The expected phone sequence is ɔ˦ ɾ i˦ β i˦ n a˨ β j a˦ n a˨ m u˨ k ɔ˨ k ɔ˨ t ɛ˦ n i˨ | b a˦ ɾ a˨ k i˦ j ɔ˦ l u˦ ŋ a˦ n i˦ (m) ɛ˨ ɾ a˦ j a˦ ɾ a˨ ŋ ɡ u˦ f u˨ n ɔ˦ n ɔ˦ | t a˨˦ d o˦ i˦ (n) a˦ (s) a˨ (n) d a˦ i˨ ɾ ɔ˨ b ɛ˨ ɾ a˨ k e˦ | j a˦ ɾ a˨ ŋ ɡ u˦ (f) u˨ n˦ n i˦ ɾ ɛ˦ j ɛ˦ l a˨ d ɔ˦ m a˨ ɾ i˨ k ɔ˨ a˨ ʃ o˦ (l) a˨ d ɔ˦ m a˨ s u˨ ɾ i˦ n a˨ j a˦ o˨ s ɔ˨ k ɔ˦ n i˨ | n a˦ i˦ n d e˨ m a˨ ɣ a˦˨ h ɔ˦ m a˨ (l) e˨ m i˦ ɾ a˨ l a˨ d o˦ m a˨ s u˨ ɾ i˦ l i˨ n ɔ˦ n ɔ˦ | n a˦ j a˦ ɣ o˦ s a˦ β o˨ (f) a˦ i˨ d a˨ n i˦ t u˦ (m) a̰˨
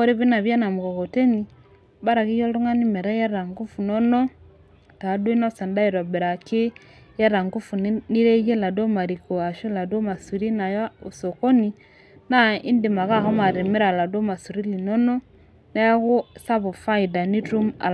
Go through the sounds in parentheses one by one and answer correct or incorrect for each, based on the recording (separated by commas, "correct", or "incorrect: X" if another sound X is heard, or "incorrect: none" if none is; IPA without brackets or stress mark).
correct, correct, correct, correct, correct, correct, incorrect: ɾ, correct, correct